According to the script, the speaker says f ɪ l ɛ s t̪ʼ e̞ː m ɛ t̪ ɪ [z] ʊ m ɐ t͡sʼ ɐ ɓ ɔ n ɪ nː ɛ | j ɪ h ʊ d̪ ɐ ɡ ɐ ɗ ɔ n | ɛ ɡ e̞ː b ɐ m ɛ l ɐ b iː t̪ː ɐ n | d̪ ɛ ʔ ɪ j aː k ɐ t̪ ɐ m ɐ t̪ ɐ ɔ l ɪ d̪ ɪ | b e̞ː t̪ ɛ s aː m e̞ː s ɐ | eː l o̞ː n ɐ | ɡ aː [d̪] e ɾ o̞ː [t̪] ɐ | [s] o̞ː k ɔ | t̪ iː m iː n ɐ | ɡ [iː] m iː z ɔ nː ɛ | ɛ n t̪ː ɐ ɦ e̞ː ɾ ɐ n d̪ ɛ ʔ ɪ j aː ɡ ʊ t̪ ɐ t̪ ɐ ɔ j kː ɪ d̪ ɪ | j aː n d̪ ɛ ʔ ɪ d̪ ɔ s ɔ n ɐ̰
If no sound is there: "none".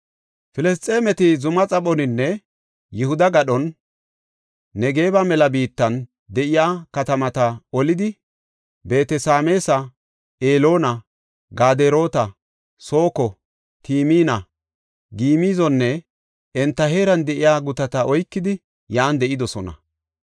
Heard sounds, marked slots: z, d̪, t̪, s, iː

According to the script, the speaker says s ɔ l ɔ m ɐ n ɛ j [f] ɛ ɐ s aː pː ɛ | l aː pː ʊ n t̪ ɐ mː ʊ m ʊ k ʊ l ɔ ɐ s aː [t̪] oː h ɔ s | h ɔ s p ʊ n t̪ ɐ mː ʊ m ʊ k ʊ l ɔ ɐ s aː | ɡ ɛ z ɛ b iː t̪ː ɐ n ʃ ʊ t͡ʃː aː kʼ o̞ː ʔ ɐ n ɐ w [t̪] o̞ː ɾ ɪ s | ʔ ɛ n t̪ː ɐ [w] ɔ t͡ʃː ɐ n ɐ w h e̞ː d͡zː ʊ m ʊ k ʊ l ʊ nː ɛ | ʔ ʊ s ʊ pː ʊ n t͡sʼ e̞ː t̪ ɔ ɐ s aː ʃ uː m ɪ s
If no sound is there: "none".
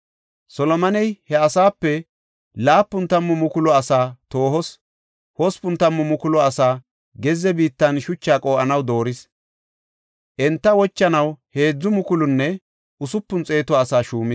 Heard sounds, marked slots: h, t̪, d̪, w

